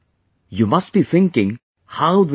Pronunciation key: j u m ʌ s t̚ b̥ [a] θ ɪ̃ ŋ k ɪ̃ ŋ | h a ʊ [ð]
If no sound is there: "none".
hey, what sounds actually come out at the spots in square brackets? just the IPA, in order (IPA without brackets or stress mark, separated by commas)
i, ð